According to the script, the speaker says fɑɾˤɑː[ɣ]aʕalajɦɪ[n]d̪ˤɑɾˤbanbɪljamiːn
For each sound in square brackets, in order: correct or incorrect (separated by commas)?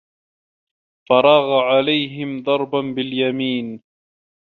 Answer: correct, incorrect